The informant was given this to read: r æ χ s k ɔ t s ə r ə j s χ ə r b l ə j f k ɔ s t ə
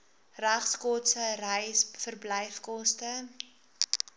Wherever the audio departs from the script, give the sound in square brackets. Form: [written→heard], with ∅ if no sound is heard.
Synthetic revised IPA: r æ χ s k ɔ t s ə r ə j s [χ→f] ə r b l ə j f k ɔ s t ə